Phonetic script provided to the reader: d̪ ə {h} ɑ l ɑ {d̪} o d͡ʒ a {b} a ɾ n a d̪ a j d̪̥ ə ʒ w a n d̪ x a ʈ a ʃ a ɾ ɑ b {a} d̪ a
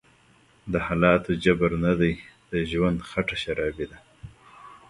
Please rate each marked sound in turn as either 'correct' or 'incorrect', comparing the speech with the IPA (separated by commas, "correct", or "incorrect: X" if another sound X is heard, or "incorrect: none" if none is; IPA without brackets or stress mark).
correct, incorrect: t̪, correct, incorrect: i